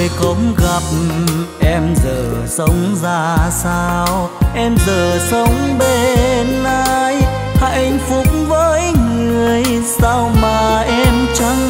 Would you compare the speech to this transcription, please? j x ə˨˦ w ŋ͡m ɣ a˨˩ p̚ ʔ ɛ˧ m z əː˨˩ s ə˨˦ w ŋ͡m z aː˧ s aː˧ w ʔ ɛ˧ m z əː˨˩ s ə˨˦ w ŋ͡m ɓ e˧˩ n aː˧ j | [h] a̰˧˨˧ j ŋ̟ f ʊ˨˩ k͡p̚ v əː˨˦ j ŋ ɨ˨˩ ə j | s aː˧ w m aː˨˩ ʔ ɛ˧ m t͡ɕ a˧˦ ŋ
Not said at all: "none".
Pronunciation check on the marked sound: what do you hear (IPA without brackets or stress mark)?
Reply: h